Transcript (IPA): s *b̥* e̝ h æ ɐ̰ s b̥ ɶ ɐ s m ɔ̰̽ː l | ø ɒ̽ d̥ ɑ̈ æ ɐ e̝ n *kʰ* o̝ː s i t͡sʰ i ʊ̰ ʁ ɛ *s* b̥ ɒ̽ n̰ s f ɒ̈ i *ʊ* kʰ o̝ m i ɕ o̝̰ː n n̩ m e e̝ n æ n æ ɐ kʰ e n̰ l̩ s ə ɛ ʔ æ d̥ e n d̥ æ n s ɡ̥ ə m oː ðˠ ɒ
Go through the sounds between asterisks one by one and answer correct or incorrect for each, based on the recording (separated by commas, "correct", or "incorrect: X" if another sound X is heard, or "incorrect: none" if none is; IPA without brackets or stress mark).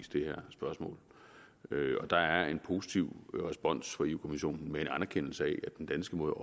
incorrect: d̥, incorrect: pʰ, correct, incorrect: u